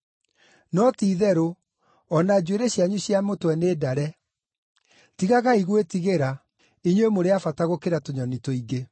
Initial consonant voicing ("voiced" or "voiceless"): voiced